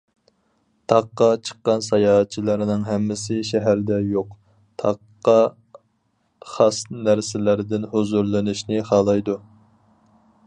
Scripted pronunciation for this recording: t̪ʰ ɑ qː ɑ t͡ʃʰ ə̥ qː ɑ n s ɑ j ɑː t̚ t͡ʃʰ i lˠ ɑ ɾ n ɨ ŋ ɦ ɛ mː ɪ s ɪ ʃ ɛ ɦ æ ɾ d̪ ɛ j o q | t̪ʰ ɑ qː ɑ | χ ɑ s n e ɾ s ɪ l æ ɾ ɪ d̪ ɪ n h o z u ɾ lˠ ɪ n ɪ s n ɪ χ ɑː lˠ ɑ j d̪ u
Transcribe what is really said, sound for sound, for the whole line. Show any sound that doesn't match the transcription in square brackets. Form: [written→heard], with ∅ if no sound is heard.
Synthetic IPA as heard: t̪ʰ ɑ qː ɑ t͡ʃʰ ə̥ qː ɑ n s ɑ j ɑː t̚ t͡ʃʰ i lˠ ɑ ɾ n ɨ ŋ ɦ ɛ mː ɪ s ɪ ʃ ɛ ɦ æ ɾ d̪ ɛ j o q | t̪ʰ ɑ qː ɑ | χ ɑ s n [e→æ] ɾ s ɪ l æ ɾ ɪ d̪ ɪ n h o z u ɾ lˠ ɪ n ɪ [s→ʃ] n ɪ χ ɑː lˠ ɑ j d̪ u